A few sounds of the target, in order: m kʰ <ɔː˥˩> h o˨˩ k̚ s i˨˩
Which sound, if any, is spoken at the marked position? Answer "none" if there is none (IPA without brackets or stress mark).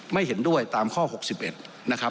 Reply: ɔː˥˩